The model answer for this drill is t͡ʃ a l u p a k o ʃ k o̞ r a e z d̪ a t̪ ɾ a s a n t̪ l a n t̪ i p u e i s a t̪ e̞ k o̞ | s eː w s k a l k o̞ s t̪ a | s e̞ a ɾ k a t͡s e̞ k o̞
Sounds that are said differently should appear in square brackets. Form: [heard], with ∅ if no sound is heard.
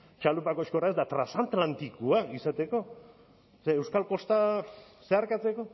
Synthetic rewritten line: t͡ʃ a l u p a k o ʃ k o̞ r a e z d̪ a t̪ ɾ a s a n t̪ l a n t̪ i [k] u [a] i s a t̪ e̞ k o̞ | s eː w s k a l k o̞ s t̪ a | s e̞ a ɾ k a t͡s e̞ k o̞